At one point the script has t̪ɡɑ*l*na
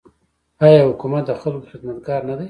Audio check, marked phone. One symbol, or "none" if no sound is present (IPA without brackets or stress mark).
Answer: ɾ